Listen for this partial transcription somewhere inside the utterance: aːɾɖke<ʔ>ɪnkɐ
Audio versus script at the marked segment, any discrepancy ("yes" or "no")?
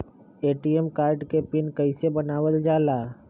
yes